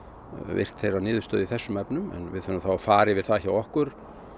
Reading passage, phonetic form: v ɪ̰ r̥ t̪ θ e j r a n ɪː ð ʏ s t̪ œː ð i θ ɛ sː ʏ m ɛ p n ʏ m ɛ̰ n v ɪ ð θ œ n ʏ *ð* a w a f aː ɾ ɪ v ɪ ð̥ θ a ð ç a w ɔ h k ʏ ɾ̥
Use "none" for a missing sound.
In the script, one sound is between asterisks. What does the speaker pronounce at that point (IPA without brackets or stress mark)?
θ